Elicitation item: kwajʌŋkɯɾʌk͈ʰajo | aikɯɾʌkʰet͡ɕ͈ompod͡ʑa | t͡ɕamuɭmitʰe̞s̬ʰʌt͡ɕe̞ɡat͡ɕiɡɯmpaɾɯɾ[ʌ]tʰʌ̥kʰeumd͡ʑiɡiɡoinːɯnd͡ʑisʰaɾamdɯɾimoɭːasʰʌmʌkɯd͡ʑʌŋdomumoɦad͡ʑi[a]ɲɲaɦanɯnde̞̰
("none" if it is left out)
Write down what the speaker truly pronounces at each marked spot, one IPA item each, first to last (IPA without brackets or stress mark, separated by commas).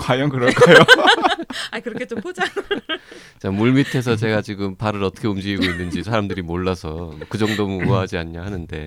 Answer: ʌ, a